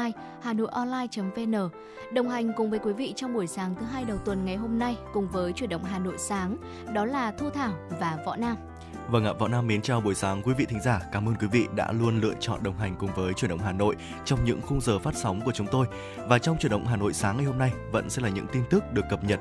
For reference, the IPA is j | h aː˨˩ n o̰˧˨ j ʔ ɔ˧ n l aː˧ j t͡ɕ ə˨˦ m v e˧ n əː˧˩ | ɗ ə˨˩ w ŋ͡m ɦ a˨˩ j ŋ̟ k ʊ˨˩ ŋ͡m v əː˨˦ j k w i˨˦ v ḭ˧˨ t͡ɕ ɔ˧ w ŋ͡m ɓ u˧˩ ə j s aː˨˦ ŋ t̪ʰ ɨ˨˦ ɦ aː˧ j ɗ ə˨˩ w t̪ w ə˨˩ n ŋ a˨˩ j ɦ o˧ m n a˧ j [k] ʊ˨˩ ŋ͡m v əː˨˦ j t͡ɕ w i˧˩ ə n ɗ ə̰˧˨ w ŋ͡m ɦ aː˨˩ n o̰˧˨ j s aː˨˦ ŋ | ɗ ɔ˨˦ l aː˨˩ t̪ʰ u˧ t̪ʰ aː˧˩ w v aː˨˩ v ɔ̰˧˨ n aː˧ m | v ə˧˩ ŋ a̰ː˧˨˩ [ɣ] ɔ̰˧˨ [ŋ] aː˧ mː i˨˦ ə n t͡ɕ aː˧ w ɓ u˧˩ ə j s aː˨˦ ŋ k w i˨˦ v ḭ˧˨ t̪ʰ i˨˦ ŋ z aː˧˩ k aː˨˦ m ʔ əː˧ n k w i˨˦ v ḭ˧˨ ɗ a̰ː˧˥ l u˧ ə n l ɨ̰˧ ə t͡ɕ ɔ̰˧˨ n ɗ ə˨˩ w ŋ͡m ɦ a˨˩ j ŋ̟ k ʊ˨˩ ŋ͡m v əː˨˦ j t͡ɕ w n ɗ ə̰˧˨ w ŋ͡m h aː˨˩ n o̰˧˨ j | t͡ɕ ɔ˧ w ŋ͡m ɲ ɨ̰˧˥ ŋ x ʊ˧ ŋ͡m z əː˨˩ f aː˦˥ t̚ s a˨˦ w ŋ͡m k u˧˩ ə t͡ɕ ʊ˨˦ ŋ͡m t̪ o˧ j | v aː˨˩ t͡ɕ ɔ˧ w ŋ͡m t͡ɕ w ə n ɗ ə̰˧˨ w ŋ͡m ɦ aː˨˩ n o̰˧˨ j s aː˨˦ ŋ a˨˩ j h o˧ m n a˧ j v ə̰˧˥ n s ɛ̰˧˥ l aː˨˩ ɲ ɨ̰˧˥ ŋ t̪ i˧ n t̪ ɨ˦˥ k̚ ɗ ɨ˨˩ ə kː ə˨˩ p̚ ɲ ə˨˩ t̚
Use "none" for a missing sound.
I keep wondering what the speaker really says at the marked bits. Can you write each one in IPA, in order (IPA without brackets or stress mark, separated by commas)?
k, v, n